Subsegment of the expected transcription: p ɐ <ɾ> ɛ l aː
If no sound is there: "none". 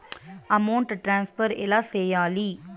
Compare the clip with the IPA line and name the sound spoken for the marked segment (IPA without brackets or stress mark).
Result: ɾ